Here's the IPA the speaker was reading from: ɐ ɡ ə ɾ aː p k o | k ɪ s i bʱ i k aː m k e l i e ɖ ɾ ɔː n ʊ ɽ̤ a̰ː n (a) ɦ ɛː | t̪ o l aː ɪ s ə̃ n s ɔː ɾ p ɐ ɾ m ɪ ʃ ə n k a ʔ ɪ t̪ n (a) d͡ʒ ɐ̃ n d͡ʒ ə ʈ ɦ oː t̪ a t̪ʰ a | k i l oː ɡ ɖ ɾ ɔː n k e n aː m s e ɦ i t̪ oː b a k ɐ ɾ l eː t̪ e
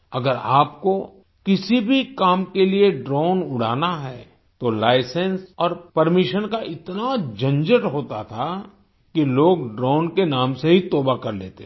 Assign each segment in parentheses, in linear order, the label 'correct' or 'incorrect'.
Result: correct, correct

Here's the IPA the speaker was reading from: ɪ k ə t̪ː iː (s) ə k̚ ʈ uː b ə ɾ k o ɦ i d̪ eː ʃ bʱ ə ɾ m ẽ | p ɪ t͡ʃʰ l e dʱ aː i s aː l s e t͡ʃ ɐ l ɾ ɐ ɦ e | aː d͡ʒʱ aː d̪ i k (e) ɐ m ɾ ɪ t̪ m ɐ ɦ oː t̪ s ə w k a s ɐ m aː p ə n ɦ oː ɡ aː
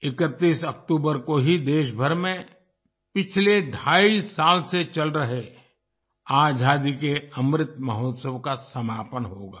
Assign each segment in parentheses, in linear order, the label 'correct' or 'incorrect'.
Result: correct, correct

